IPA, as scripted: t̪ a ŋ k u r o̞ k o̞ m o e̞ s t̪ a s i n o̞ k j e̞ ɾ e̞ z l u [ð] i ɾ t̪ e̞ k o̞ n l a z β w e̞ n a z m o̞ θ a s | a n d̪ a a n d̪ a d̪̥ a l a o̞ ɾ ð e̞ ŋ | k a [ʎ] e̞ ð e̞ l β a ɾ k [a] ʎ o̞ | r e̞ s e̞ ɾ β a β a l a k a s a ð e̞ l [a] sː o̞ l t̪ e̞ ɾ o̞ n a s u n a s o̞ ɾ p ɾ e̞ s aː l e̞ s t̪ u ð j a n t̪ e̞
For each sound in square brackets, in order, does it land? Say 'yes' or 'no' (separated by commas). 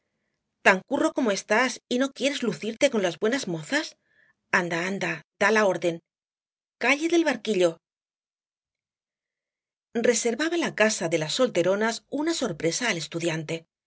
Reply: no, yes, no, yes